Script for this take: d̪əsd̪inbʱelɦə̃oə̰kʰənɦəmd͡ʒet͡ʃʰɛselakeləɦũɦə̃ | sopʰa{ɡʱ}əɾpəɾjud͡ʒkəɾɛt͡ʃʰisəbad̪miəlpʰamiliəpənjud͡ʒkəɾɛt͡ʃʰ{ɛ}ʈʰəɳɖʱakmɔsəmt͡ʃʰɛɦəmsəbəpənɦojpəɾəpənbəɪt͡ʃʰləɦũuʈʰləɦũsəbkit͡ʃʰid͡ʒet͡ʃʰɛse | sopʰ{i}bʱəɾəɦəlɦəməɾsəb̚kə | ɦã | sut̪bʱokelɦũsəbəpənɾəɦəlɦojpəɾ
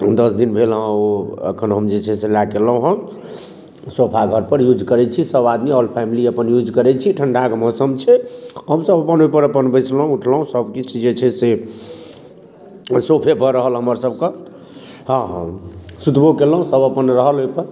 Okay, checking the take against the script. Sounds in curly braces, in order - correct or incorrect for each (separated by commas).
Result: correct, incorrect, incorrect